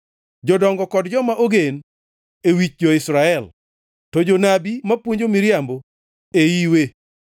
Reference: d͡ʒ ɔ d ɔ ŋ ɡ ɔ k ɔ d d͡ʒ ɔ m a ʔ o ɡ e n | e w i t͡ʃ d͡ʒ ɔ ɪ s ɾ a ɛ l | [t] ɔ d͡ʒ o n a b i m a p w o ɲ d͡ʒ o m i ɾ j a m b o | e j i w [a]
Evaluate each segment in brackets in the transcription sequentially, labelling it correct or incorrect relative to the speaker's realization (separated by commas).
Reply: correct, incorrect